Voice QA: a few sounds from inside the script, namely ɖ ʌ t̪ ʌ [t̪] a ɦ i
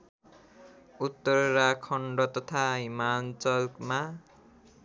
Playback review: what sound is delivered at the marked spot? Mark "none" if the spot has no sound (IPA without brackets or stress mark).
t̪ʰ